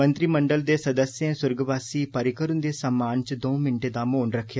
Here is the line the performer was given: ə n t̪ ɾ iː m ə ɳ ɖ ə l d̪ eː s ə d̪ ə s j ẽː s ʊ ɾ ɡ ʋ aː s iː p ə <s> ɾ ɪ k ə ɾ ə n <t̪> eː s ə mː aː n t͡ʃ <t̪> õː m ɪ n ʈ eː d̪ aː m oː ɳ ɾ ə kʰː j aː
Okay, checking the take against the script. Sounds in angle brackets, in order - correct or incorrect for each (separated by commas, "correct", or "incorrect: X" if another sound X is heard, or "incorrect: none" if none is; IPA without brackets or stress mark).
incorrect: none, incorrect: d̪, incorrect: d̪